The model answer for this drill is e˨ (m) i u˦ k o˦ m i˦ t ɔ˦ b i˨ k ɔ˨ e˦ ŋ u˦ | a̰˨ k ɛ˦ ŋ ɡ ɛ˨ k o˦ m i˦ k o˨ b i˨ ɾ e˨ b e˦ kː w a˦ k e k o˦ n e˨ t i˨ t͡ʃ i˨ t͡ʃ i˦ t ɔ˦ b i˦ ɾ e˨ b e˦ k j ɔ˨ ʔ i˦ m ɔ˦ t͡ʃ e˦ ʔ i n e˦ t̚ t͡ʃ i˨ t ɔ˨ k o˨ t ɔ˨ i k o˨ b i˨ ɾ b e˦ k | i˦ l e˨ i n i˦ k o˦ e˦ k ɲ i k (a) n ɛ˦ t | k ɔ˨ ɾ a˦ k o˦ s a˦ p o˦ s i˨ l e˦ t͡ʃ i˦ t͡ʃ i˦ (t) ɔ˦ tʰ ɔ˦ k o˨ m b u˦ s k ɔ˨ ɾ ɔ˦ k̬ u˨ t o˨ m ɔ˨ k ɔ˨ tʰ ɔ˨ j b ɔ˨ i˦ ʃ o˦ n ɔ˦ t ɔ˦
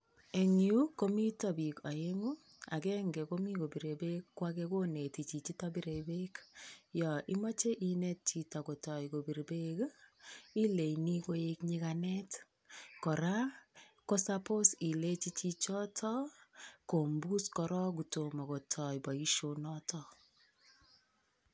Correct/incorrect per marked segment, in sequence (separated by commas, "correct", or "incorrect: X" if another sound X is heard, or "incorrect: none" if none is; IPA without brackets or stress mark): incorrect: ŋ, correct, incorrect: t͡ʃ